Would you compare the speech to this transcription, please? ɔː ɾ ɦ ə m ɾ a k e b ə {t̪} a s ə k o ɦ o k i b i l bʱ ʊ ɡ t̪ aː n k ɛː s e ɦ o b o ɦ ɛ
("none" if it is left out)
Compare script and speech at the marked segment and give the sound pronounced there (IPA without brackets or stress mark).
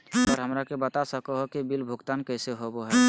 t̪